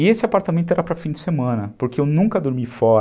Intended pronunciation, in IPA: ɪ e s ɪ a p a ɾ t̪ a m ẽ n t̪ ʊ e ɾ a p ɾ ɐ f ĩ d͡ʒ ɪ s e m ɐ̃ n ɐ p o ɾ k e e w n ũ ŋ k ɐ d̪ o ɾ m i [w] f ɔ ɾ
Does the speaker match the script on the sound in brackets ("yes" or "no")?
no